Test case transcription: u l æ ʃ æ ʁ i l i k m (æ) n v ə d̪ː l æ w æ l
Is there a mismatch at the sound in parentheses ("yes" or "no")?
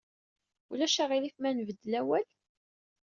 no